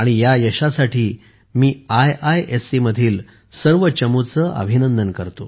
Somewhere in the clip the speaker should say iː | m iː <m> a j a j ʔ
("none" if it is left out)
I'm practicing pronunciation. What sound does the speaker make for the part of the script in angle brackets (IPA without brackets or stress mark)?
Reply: none